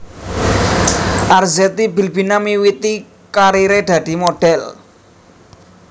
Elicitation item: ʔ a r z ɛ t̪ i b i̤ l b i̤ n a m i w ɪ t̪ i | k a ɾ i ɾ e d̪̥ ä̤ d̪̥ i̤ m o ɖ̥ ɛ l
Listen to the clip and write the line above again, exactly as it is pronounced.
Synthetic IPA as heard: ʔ a r z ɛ t̪ i b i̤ l b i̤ n a m i w i t̪ i | k a ɾ i ɾ e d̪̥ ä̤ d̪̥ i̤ m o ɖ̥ ɛ l